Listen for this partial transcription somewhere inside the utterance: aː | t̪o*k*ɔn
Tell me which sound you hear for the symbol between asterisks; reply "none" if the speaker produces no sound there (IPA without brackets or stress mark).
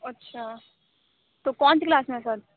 k